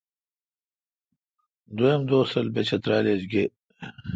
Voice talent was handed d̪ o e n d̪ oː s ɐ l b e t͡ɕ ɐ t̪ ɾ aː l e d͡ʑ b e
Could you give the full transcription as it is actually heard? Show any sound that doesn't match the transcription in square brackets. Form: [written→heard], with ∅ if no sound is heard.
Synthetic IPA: d̪ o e [n→m] d̪ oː s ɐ l b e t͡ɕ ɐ t̪ ɾ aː l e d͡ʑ [b→ɡ] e